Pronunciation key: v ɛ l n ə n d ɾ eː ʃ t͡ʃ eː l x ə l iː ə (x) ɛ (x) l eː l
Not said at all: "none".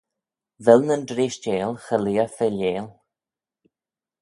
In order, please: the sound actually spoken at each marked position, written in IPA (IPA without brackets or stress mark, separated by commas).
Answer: f, none